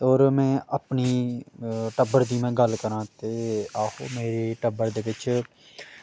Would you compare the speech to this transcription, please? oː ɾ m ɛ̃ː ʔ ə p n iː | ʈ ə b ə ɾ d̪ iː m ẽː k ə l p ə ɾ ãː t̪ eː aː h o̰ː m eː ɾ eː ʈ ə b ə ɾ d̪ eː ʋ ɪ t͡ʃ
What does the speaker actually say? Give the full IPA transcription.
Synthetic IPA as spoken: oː ɾ m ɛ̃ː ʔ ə p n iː | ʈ ə b ə ɾ d̪ iː m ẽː ɡ ə l k ə ɾ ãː t̪ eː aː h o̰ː m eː ɾ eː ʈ ə b ə ɾ d̪ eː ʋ ɪ t͡ʃ